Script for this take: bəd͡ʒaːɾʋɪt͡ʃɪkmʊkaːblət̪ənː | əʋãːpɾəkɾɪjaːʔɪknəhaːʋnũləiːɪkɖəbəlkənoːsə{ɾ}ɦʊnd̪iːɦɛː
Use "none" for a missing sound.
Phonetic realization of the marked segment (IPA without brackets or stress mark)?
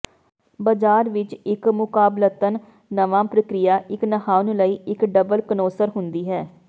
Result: ɾ